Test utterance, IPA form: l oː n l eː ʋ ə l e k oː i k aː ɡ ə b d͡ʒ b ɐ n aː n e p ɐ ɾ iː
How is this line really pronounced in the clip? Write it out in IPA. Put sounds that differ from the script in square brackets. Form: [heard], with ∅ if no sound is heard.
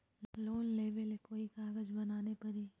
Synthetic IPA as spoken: l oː n l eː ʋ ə l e k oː i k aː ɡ ə [∅] d͡ʒ b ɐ n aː n e p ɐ ɾ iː